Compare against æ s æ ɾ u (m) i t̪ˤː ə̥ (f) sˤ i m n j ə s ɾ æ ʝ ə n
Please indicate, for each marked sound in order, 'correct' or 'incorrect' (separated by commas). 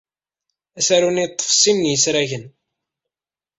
incorrect, correct